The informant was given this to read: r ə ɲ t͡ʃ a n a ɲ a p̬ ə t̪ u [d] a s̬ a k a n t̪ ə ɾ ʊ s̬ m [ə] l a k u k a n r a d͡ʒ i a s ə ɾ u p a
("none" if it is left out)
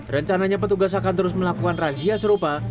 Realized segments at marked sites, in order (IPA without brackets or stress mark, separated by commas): ɡ, ə